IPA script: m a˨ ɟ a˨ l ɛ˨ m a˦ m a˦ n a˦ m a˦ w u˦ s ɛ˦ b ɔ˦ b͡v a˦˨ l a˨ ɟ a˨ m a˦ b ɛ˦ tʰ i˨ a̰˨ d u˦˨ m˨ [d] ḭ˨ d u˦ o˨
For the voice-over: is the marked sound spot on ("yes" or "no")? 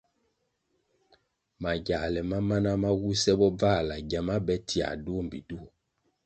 no